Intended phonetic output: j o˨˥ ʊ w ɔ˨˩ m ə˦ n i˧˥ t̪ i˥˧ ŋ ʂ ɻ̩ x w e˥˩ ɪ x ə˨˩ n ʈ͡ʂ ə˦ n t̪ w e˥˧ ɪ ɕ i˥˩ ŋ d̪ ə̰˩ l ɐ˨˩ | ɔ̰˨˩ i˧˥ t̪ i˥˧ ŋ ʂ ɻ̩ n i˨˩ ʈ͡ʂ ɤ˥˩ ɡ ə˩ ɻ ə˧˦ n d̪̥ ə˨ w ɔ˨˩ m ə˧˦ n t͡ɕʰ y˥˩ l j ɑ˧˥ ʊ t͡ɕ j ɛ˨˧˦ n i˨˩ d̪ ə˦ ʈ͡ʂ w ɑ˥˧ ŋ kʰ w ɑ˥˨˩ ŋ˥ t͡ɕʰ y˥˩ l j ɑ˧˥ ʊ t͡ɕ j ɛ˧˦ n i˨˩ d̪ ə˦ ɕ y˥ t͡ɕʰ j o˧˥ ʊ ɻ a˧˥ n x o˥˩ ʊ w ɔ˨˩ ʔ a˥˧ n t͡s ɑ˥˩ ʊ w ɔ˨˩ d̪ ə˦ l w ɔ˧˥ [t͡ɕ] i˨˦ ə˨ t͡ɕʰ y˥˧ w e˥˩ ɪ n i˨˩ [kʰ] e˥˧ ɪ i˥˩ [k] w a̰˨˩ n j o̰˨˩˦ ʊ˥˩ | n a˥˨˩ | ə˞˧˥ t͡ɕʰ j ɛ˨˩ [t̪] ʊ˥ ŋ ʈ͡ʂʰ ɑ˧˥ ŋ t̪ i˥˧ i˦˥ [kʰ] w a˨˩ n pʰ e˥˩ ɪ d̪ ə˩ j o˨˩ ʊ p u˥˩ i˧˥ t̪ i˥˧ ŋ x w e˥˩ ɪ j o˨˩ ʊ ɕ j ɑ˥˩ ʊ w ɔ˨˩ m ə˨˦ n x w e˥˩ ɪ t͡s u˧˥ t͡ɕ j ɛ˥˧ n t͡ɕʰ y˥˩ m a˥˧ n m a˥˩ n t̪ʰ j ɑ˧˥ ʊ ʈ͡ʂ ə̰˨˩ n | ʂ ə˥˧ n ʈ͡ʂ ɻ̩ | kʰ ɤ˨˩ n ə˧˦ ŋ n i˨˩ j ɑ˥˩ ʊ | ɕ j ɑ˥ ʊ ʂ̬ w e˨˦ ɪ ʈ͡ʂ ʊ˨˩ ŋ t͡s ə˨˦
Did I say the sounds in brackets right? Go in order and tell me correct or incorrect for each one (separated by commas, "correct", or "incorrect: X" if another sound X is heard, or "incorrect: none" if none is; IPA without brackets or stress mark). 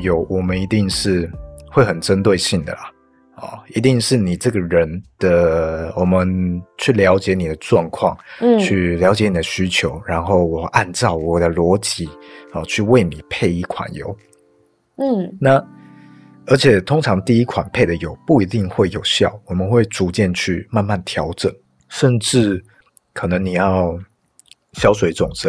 correct, incorrect: pʰ, incorrect: kʰ, incorrect: t̪ʰ, correct